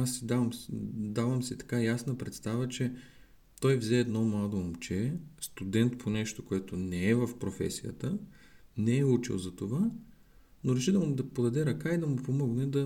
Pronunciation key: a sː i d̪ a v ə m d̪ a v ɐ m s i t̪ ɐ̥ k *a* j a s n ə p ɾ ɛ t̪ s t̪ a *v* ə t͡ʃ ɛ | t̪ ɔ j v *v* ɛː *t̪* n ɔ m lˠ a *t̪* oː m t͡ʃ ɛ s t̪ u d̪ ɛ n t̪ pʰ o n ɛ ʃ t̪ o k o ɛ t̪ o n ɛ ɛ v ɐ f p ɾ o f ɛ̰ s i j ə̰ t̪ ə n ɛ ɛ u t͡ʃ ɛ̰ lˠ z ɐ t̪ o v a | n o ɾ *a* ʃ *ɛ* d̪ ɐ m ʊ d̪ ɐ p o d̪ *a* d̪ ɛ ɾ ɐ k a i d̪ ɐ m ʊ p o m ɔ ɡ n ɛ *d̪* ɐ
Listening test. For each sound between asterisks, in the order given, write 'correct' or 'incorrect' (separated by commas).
correct, correct, incorrect, incorrect, incorrect, incorrect, incorrect, incorrect, correct